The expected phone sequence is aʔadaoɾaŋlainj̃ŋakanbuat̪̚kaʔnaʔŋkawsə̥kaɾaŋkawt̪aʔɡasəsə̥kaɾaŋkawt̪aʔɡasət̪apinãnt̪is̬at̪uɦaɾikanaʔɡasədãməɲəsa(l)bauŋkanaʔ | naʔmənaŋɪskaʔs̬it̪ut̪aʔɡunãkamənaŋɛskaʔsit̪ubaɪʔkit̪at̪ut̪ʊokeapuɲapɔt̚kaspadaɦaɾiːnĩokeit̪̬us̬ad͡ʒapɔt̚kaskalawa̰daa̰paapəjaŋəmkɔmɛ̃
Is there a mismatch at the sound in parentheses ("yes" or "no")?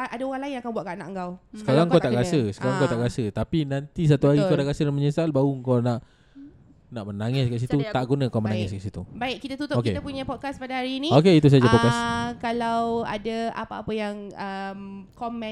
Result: no